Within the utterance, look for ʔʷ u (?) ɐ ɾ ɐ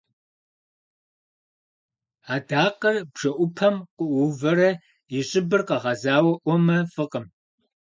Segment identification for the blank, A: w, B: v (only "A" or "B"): B